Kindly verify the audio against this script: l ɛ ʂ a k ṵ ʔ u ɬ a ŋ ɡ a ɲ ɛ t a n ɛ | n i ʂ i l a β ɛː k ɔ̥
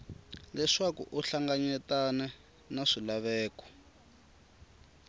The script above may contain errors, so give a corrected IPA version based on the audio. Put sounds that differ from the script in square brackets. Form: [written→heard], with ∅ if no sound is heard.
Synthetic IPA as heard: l ɛ ʂ a k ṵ ʔ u ɬ a ŋ ɡ a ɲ ɛ t a n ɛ | n [i→a] ʂ i l a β ɛː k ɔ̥